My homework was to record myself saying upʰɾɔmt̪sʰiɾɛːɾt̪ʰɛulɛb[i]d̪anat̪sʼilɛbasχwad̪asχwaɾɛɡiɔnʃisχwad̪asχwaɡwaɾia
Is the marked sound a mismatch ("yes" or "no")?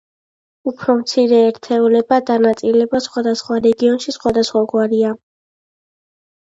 yes